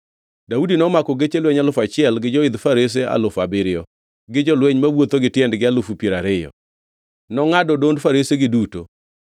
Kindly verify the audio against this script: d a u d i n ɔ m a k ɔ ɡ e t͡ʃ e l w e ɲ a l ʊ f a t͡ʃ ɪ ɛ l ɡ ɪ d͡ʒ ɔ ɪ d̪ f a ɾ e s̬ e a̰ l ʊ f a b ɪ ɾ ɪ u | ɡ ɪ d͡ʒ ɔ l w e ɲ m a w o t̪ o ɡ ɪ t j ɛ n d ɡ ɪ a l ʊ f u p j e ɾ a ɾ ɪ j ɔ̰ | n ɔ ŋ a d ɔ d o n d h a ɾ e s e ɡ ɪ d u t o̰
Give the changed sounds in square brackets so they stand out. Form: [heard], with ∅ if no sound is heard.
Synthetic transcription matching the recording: d a u d i n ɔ m a k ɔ ɡ e t͡ʃ e l w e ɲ a l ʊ f a t͡ʃ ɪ ɛ l ɡ ɪ d͡ʒ ɔ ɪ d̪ f a ɾ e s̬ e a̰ l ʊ f a b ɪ ɾ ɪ [ɔ] | ɡ ɪ d͡ʒ ɔ l w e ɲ m a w o t̪ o ɡ ɪ t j ɛ n d ɡ ɪ a l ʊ f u p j e ɾ a ɾ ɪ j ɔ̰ | n ɔ ŋ a d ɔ d o n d [f] a ɾ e s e ɡ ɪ d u t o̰